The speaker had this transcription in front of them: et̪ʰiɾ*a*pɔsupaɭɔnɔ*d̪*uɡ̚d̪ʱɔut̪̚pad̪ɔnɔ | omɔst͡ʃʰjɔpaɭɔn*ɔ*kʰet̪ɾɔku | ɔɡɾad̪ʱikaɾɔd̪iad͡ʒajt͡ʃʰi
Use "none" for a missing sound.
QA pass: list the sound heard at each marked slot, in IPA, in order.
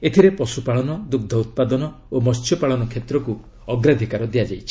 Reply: e, d̪, ɔ

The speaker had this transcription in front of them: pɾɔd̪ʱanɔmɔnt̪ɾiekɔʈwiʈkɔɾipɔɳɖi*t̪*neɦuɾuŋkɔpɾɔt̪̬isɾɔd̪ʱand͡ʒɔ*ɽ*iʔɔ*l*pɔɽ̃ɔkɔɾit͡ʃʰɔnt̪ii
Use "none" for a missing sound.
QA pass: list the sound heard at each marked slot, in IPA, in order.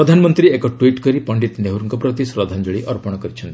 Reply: t̪, ɭ, ɾ

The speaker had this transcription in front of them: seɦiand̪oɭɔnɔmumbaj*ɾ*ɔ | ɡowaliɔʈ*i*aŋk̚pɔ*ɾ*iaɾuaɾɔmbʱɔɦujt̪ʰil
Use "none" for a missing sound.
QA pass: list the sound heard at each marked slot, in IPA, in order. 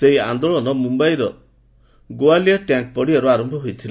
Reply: ɾ, j, ɽ

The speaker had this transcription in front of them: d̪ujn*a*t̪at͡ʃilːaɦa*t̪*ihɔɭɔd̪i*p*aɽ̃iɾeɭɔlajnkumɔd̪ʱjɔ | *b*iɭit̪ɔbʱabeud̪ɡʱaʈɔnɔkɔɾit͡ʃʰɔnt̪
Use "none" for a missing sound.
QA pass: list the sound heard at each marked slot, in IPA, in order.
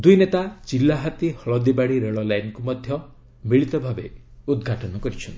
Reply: e, t̪, b, m

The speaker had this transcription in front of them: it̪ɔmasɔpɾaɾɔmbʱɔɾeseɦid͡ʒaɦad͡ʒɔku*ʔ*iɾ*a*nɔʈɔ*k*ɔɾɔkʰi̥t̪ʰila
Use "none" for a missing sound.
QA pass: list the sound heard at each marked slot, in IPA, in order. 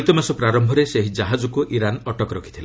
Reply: ʔ, a, k

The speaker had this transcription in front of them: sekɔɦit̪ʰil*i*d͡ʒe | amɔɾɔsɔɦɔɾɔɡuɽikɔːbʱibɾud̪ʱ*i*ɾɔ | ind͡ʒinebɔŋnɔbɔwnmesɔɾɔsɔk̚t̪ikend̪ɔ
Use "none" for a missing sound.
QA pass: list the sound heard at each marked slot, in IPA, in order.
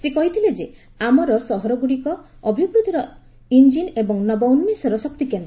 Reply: e, i

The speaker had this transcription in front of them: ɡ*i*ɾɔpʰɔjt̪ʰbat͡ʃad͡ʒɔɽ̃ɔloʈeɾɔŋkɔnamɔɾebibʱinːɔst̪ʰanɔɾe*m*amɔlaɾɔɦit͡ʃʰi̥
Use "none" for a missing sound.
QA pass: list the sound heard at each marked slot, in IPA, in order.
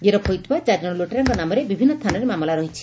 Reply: e, m

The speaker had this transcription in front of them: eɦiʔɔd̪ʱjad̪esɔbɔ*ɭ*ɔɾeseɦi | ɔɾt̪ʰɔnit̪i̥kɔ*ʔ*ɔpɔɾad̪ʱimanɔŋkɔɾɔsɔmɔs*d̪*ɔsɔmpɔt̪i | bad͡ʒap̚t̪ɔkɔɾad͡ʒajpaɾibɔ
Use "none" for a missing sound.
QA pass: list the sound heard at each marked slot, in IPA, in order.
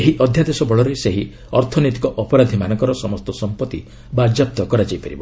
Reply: ɭ, ʔ, t̪

